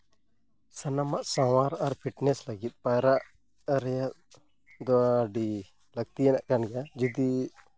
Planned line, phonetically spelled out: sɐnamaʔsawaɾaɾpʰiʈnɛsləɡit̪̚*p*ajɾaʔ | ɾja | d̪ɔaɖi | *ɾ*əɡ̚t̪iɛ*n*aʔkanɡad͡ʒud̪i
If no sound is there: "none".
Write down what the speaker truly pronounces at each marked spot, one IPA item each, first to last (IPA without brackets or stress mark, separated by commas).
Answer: p, l, n